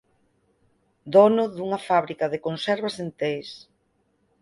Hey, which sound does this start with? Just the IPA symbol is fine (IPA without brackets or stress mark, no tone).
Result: d̪